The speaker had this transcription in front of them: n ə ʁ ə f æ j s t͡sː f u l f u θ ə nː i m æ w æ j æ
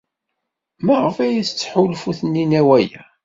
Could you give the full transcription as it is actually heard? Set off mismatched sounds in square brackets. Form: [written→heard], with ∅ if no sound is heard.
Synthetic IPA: [n→m] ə ʁ ə f æ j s t͡sː [f→ħ] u l f u θ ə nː i [m→n] æ w æ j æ